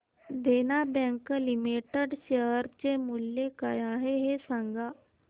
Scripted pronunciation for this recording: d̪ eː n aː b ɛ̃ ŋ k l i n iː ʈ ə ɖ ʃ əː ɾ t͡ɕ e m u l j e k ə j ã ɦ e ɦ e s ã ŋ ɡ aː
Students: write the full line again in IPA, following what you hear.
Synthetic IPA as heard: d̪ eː n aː b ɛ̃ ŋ k l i m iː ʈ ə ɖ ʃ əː ɾ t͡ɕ e m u l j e k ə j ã ɦ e ɦ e s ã ŋ ɡ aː